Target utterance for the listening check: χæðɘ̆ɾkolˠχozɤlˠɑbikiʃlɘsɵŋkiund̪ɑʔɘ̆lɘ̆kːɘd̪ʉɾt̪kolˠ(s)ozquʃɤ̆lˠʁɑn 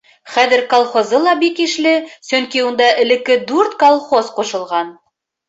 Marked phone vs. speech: incorrect: χ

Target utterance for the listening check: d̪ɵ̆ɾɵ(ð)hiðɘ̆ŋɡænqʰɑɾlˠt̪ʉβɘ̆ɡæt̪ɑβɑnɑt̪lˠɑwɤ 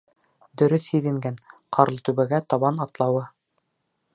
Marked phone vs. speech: incorrect: θ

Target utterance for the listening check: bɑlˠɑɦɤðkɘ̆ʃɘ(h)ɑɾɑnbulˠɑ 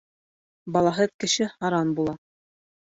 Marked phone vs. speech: correct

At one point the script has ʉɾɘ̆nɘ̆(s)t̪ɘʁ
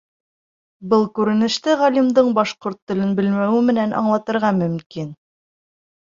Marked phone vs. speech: incorrect: ʃ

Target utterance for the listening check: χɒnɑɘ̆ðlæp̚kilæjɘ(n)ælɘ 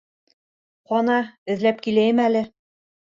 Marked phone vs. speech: incorrect: m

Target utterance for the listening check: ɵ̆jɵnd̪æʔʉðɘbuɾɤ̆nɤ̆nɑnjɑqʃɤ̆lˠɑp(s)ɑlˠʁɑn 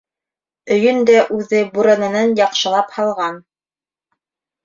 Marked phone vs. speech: incorrect: h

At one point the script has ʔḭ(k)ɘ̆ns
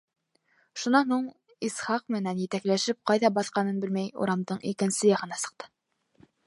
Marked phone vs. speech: correct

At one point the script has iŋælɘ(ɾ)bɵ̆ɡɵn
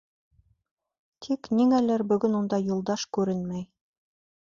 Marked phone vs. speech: correct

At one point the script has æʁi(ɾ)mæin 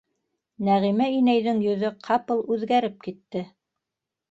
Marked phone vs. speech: incorrect: none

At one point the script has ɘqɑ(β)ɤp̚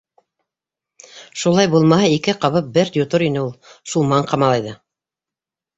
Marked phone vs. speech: correct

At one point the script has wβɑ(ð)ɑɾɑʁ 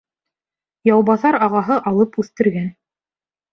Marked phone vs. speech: incorrect: θ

